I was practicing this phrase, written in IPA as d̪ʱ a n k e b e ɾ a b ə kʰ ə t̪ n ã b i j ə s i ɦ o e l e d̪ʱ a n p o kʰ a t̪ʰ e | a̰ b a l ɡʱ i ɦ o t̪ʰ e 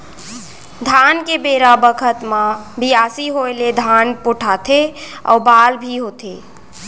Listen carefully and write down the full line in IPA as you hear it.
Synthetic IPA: d̪ʱ a n k e b e ɾ a b ə kʰ ə t̪ m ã b i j a s i ɦ o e l e d̪ʱ a n p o ʈʰ a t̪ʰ e | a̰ b a l bʱ i ɦ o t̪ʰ e